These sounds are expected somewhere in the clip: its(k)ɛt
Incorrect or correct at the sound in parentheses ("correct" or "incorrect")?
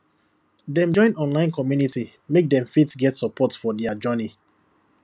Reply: incorrect